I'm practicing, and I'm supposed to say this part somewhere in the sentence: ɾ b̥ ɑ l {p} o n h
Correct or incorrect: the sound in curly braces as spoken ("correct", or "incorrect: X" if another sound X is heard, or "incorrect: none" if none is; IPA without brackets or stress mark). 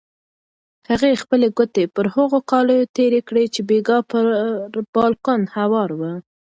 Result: incorrect: k